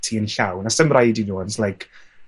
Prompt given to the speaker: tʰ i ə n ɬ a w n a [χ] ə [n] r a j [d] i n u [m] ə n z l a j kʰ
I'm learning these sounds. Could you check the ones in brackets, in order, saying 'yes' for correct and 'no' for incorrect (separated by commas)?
no, no, yes, no